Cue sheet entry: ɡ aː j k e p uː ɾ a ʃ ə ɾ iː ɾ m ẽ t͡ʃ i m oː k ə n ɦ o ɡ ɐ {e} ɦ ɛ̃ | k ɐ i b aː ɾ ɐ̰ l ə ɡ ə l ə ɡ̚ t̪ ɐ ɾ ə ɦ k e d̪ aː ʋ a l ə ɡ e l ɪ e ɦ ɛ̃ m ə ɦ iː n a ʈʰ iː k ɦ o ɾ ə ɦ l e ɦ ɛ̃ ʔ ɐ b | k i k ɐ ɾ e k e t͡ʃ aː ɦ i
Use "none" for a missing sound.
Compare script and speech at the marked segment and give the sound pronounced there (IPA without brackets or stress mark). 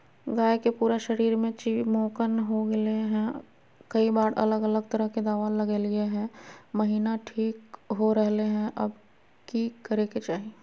e